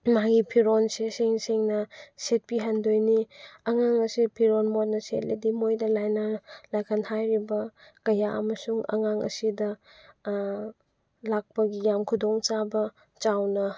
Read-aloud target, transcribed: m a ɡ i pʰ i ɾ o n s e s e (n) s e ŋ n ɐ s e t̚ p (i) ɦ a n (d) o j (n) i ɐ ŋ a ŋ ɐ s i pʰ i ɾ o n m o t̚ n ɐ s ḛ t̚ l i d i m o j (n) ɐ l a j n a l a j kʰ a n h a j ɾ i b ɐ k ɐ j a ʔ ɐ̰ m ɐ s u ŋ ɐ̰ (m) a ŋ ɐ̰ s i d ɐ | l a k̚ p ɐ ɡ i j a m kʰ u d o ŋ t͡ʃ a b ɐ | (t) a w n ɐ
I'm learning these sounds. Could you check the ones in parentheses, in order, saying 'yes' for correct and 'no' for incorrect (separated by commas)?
no, yes, yes, yes, no, no, no